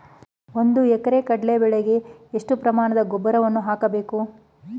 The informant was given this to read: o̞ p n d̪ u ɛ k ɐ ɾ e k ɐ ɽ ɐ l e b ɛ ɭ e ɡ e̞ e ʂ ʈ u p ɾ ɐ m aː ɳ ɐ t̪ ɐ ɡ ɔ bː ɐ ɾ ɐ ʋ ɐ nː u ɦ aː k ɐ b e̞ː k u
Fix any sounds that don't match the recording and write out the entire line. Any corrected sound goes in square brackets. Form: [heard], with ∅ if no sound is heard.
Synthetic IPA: o̞ [∅] n d̪ u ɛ k ɐ ɾ e k ɐ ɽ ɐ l e b ɛ ɭ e ɡ e̞ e ʂ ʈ u p ɾ ɐ m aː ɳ ɐ [d̪] ɐ ɡ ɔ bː ɐ ɾ ɐ ʋ ɐ nː u ɦ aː k ɐ b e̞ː k u